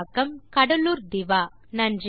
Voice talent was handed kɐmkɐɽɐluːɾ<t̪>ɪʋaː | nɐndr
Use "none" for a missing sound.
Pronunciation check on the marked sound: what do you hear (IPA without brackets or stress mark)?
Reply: d̪